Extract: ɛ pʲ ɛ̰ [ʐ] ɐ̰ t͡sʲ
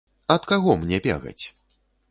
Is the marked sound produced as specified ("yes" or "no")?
no